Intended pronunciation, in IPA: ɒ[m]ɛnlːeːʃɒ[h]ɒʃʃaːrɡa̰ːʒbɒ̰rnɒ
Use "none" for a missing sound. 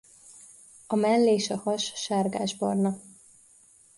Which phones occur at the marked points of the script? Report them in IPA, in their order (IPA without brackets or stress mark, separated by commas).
m, h